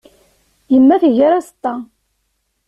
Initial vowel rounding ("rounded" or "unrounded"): unrounded